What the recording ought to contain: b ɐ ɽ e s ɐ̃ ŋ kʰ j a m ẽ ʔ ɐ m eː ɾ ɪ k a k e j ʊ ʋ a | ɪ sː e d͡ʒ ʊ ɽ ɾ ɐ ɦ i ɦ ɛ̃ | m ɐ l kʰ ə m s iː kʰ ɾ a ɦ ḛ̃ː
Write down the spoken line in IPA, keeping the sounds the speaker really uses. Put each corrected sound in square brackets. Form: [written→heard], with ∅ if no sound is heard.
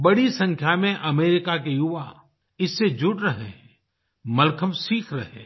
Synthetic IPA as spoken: b ɐ ɽ [e→i] s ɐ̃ ŋ kʰ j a m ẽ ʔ ɐ m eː ɾ ɪ k a k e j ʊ ʋ a | ɪ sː e d͡ʒ ʊ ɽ ɾ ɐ ɦ [i→e] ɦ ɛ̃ | m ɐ l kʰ ə m s iː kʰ ɾ [a→ɐ] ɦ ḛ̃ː